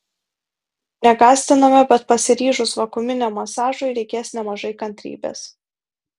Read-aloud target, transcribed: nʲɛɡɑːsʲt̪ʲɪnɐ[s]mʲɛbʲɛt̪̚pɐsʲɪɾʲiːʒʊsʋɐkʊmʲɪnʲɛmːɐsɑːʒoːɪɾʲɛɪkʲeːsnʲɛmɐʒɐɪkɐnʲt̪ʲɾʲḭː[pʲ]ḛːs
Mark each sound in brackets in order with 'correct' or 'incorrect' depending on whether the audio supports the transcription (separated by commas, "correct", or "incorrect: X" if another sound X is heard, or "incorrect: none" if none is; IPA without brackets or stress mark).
incorrect: none, incorrect: bʲ